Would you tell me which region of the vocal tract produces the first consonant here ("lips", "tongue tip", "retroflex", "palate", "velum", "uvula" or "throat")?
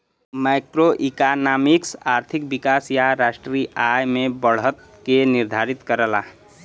lips